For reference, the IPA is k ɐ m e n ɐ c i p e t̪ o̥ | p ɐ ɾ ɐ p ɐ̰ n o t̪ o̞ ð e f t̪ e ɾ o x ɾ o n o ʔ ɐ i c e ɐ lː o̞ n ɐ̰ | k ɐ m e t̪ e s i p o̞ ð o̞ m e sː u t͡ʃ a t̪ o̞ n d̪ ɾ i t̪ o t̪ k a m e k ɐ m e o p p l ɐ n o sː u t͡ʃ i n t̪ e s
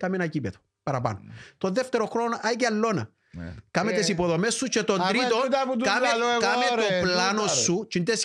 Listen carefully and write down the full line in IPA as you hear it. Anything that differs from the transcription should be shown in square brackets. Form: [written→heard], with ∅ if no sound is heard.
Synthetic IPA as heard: k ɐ m e n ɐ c i p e t̪ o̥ | p ɐ ɾ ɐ p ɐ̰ n o t̪ o̞ ð e f t̪ e ɾ o x ɾ o n o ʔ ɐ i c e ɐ lː o̞ n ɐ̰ | k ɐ m e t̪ e s i p o̞ ð o̞ m e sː u t͡ʃ [a→e] t̪ o̞ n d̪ ɾ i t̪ o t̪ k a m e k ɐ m e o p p l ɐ n o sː u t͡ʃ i n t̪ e s